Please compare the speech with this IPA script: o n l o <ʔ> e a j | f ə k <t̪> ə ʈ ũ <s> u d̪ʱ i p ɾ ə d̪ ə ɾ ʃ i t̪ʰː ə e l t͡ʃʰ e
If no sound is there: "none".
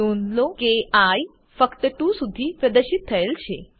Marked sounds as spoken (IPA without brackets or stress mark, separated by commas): k, t̪, s